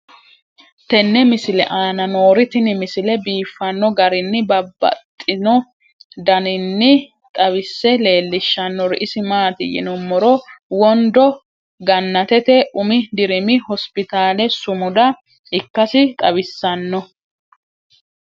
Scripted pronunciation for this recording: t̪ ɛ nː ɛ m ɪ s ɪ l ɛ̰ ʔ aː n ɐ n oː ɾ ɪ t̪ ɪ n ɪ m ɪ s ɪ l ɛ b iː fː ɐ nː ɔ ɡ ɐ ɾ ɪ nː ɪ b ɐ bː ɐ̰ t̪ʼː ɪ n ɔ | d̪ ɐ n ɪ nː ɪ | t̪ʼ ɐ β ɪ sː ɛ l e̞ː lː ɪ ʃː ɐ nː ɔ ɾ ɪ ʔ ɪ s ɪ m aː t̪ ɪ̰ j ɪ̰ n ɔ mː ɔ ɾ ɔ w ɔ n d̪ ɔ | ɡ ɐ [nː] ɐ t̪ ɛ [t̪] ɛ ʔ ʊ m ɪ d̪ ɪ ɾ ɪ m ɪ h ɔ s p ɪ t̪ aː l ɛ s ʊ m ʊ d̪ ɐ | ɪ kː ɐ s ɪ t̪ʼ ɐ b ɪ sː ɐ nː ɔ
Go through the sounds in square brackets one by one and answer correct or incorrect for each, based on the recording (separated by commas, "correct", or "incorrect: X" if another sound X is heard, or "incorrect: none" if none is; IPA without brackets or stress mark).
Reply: correct, correct